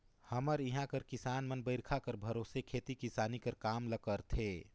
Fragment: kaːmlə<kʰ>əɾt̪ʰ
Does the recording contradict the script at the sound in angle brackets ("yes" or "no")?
yes